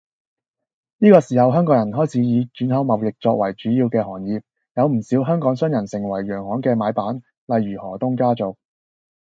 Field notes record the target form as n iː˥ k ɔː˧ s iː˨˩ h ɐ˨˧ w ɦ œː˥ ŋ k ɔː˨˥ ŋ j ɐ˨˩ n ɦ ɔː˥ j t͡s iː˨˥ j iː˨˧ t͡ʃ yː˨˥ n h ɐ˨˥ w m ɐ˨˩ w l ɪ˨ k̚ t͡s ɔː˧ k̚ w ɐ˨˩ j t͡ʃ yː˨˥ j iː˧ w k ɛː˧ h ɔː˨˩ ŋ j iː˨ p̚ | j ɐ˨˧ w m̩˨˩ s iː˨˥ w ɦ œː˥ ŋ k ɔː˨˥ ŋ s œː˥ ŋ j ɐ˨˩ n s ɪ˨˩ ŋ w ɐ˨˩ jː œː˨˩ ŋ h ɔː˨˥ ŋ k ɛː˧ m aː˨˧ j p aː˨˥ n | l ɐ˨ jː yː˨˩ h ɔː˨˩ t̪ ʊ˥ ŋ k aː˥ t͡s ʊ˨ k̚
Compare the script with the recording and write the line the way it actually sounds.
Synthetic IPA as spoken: n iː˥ k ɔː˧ s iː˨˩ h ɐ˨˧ w ɦ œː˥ ŋ k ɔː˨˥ ŋ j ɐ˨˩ n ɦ ɔː˥ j t͡sʰ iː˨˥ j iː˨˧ t͡ʃ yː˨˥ n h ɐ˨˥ w m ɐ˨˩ w l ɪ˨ k̚ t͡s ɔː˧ k̚ w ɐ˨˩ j t͡ʃ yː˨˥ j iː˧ w k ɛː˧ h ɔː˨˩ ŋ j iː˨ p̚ | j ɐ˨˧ w m̩˨˩ s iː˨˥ w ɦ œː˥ ŋ k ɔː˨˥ ŋ s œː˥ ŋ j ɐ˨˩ n s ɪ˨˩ ŋ w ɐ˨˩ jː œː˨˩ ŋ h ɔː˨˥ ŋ k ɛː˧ m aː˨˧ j p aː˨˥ n | l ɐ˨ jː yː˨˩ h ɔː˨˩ t̪ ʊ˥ ŋ k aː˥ t͡s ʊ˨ k̚